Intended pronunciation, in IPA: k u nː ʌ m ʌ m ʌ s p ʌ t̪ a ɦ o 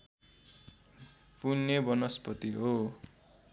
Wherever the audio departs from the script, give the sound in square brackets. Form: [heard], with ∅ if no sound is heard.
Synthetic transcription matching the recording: [p] u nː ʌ [b] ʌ [n] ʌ s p ʌ t̪ [i] ɦ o